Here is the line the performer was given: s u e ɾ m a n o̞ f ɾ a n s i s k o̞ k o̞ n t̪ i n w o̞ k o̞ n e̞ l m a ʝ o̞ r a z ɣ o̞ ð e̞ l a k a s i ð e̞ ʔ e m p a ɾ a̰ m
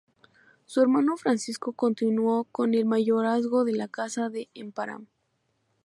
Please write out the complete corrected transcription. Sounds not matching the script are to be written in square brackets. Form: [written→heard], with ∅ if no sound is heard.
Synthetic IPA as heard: s u e ɾ m a n o̞ f ɾ a n s i s k o̞ k o̞ n t̪ i n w o̞ k o̞ n e̞ l m a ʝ o̞ [r→ɾ] a z ɣ o̞ ð e̞ l a k a s [i→a] ð e̞ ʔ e m p a ɾ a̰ m